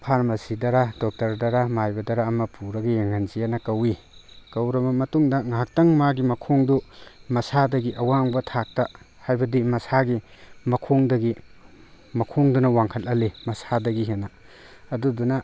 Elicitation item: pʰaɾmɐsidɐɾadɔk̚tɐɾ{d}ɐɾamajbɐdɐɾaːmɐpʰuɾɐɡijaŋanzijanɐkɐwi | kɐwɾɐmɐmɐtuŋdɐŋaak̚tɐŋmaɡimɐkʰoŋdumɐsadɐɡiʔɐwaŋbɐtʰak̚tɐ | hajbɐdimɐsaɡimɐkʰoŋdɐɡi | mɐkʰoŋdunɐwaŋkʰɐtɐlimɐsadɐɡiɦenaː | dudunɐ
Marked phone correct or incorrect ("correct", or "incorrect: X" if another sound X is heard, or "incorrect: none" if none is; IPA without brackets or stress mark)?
correct